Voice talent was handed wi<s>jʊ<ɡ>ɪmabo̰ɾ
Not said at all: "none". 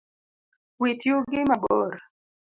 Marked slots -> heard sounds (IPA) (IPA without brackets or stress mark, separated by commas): t, ɡ